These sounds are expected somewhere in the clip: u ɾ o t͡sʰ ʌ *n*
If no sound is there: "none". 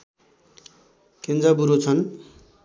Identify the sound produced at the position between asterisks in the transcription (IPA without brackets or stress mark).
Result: n